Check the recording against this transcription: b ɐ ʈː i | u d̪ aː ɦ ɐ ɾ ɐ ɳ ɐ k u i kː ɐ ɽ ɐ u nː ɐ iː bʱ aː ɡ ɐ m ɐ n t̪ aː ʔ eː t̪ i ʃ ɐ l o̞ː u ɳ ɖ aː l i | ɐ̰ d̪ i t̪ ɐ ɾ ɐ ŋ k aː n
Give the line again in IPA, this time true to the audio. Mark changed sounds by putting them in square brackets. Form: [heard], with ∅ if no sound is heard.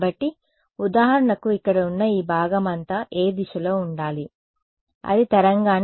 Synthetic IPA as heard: b ɐ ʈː i | u d̪ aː ɦ ɐ ɾ ɐ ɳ ɐ k u i kː ɐ ɽ ɐ u nː ɐ iː bʱ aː ɡ ɐ m ɐ n t̪ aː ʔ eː [d̪] i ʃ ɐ l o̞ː u ɳ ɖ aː l i | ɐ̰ d̪ i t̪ ɐ ɾ ɐ ŋ [ɡ] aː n